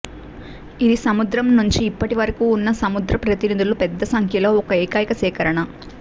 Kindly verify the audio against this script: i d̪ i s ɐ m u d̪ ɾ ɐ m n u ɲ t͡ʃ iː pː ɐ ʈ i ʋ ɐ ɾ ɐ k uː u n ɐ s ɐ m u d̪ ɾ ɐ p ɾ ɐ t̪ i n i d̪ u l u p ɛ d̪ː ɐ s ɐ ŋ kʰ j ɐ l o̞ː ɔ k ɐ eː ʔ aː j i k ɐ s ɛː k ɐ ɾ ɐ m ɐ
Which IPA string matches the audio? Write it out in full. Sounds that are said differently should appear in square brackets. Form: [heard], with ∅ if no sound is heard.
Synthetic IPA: i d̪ i s ɐ m u d̪ ɾ ɐ m n u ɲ t͡ʃ iː pː ɐ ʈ i ʋ ɐ ɾ ɐ k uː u [nː] ɐ s ɐ m u d̪ ɾ ɐ p ɾ ɐ t̪ i n i d̪ u l u p ɛ d̪ː ɐ s ɐ ŋ kʰ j ɐ l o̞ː ɔ k ɐ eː [k] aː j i k ɐ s ɛː k ɐ ɾ ɐ [ɳ] ɐ

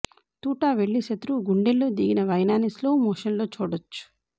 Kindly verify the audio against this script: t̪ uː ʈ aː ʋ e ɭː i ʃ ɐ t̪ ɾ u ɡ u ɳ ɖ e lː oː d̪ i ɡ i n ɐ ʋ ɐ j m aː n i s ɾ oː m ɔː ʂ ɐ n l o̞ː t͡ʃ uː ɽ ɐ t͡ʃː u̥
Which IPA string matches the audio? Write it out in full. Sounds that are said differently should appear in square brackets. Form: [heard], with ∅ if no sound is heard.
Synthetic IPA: t̪ uː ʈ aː ʋ e ɭː i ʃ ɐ t̪ ɾ u ɡ u ɳ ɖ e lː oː d̪ i ɡ i n ɐ ʋ ɐ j [n] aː n i s [l] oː m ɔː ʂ ɐ n l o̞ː t͡ʃ uː ɽ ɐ t͡ʃː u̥

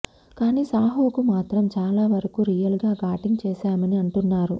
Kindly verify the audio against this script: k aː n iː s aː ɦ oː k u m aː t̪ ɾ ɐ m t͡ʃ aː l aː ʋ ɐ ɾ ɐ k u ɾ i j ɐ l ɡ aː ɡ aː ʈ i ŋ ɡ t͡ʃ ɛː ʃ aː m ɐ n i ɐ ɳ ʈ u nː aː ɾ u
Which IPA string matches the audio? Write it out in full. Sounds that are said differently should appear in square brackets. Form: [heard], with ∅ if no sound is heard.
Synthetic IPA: k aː n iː s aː ɦ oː k u m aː t̪ ɾ ɐ m t͡ʃ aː l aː ʋ ɐ ɾ ɐ k u ɾ i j ɐ l ɡ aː ɡ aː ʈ i ŋ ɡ t͡ʃ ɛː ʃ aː m ɐ n i ɐ ɳ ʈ u nː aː ɾ u

